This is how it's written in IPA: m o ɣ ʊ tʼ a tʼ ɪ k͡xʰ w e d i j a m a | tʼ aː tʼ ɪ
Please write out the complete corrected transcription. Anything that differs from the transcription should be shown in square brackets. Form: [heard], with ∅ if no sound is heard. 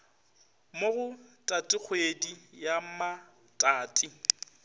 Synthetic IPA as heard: m o ɣ ʊ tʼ a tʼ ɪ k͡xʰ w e d i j a m a | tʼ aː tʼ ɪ